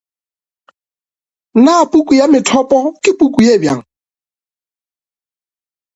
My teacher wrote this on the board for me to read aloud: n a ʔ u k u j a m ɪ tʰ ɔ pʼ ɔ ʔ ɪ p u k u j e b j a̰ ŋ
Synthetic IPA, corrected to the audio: n a p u k u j a m ɪ tʰ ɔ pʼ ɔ k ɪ p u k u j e b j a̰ ŋ